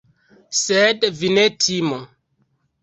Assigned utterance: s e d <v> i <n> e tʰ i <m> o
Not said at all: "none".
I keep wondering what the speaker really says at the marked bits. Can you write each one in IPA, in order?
v, n, m

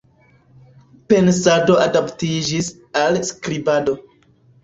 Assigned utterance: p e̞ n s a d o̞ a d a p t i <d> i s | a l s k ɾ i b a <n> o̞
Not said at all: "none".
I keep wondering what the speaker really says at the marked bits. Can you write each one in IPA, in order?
d͡ʒ, d

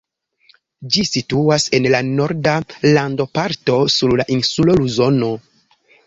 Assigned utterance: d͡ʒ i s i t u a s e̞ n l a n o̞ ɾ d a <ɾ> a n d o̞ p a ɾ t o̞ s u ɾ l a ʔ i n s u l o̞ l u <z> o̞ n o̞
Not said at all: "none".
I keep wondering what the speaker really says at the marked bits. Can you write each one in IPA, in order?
l, z

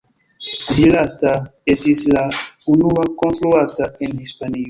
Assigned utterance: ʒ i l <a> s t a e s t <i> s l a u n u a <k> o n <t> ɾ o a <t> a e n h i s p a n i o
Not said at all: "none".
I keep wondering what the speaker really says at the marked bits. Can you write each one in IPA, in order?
a, i, k, t, t

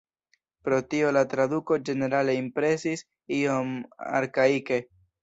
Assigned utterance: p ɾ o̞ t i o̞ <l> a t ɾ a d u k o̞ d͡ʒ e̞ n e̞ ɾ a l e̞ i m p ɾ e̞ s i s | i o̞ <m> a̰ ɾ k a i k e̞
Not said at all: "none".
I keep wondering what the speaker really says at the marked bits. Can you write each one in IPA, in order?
l, m

